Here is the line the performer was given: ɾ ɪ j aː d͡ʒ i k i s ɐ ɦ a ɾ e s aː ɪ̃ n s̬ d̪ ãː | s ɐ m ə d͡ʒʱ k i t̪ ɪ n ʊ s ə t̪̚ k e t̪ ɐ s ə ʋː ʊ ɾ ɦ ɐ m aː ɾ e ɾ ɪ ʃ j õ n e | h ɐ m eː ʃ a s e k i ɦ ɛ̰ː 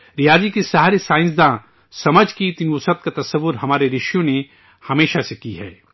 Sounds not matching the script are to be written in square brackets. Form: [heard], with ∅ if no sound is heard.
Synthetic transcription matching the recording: ɾ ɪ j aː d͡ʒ i k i s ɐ ɦ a ɾ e s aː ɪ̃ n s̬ d̪ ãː | s ɐ m ə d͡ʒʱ k i t̪ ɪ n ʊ s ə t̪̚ k [a] t̪ ɐ s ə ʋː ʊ ɾ ɦ ɐ m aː ɾ e ɾ ɪ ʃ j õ n e | h ɐ m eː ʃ a s e k i ɦ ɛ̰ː